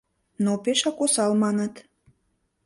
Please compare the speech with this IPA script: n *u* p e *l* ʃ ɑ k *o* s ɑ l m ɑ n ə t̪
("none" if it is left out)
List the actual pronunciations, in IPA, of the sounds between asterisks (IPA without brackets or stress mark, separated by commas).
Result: o, none, o